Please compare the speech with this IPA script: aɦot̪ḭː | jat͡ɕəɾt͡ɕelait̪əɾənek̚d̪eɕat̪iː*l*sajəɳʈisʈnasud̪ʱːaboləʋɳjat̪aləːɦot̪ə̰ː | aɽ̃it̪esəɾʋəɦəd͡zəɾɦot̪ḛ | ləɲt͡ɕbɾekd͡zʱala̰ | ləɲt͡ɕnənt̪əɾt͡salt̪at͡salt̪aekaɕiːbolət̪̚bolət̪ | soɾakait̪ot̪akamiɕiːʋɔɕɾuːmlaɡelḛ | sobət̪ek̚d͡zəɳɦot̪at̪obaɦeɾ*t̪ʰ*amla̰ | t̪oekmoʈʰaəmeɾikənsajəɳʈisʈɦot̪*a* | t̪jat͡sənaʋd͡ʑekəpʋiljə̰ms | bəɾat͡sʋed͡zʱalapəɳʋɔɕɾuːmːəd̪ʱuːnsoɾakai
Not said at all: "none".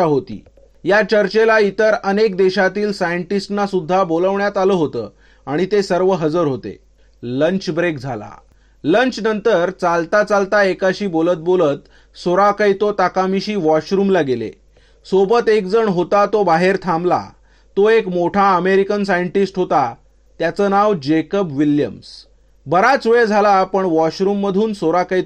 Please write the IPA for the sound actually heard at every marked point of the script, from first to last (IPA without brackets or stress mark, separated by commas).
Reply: l, t̪ʰ, a